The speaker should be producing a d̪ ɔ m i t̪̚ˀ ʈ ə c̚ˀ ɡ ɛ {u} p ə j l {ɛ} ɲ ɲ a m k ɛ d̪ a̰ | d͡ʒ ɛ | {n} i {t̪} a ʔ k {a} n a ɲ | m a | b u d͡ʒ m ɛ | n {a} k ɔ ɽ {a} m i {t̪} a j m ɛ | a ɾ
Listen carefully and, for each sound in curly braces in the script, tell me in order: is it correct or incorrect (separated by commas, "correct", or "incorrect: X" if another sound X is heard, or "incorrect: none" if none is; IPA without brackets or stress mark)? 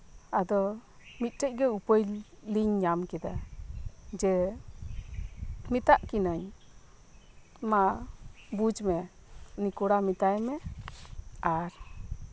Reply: correct, incorrect: i, incorrect: m, correct, incorrect: i, incorrect: i, correct, correct